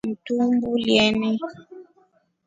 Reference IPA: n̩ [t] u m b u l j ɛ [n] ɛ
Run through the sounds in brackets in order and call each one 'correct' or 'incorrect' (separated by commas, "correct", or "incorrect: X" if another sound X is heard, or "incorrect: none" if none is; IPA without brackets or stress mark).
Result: correct, correct